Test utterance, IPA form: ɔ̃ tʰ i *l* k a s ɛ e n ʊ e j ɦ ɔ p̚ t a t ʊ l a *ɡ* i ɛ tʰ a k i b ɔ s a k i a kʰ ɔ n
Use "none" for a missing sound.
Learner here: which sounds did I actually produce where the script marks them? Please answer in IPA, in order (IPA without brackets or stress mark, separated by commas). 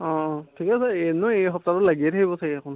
none, ɡ